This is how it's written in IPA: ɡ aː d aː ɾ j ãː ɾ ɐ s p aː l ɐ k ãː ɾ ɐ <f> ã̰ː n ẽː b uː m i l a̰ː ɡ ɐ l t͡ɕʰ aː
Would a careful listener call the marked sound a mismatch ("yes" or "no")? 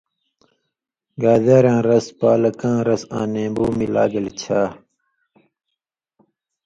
yes